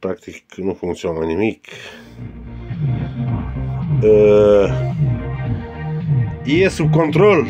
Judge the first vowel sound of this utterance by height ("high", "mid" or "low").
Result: low